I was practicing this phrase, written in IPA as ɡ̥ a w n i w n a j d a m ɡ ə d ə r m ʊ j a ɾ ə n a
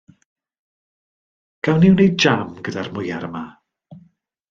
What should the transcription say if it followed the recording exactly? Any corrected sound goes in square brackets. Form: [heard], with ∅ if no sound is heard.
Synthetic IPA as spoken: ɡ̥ a w n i w n [e] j [d͡ʒ] a m ɡ ə d [a] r m ʊ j a ɾ ə [m] a